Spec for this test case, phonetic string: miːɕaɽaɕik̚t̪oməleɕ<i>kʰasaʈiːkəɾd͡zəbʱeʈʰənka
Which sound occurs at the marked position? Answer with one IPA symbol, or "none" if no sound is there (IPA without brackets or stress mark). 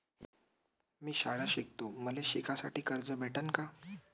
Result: i